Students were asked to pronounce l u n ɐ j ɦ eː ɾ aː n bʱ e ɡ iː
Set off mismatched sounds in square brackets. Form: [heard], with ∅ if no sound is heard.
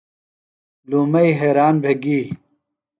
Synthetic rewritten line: l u [m] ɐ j ɦ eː ɾ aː n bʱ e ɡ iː